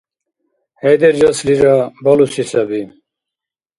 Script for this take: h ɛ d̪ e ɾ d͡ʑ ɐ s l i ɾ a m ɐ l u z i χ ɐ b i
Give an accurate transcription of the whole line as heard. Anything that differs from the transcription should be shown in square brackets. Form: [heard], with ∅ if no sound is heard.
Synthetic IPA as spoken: h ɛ d̪ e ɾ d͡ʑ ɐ s l i ɾ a [b] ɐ l u [s] i [s] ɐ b i